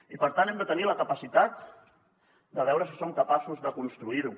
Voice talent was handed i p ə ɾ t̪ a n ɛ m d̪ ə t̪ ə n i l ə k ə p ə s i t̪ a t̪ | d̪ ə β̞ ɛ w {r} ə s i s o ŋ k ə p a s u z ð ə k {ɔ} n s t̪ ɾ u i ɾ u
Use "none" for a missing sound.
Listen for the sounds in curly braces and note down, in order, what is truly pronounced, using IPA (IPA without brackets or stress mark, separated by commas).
ɾ, u